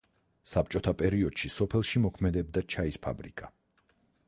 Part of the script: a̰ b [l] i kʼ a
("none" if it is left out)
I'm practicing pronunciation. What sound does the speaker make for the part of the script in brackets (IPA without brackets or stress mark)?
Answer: ɾ